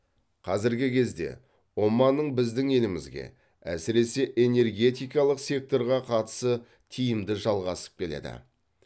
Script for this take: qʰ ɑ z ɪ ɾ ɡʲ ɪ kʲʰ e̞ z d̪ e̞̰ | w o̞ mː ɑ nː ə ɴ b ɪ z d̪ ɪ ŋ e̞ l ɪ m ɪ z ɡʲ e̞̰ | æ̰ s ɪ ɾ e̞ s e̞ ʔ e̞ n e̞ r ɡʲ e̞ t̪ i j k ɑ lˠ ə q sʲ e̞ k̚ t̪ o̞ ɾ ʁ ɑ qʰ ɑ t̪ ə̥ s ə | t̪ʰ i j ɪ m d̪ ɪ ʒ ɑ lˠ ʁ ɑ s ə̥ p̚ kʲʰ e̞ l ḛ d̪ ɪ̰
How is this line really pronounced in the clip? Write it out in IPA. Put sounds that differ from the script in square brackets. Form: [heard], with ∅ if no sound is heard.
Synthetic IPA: qʰ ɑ z ɪ ɾ ɡʲ ɪ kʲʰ e̞ z d̪ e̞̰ | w o̞ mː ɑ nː ə ɴ b ɪ z d̪ ɪ ŋ e̞ l ɪ m ɪ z ɡʲ e̞̰ | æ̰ s ɪ ɾ e̞ s e̞ ʔ e̞ n e̞ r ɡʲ e̞ t̪ i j k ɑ lˠ ə q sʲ e̞ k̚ t̪ o̞ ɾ ʁ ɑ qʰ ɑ t̪ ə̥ s ə | t̪ʰ i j ɪ m d̪ ɪ ʒ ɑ lˠ ʁ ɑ s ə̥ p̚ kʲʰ e̞ l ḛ d̪ ɪ̰